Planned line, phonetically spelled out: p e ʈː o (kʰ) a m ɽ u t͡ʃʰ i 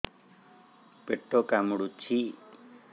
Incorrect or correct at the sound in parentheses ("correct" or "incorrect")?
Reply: incorrect